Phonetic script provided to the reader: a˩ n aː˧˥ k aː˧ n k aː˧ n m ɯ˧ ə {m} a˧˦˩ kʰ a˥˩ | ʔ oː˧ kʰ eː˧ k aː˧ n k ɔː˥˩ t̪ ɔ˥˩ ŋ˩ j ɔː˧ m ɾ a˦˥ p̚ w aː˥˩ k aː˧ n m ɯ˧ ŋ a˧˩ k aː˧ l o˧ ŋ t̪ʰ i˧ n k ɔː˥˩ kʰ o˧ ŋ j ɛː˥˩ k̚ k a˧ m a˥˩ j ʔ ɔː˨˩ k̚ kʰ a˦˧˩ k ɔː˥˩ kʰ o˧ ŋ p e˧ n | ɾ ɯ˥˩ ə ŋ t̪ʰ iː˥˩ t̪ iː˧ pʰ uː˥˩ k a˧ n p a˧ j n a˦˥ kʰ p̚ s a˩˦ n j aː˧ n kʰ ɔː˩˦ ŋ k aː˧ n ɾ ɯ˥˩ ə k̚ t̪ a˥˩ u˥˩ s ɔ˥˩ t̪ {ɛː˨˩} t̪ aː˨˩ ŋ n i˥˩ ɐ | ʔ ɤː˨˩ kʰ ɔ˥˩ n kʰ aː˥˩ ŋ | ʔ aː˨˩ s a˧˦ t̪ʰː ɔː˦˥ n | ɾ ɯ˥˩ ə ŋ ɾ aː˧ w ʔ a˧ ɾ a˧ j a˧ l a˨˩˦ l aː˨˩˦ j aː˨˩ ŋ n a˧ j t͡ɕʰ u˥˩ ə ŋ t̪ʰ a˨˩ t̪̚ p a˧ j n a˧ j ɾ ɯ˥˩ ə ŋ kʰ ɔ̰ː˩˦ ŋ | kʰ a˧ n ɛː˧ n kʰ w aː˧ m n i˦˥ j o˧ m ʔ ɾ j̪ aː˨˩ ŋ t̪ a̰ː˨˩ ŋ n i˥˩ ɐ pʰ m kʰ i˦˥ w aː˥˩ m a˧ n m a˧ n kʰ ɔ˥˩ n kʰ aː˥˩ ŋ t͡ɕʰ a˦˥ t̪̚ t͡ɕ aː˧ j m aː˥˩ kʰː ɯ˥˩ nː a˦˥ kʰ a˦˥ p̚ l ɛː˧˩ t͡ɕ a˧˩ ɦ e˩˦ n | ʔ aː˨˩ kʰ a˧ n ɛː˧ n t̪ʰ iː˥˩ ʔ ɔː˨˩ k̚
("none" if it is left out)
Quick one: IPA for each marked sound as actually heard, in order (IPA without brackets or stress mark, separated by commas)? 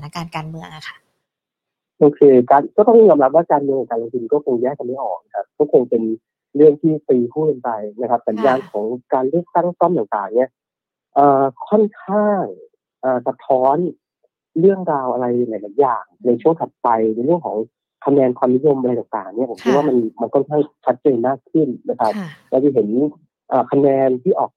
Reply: ŋ, aː˨˩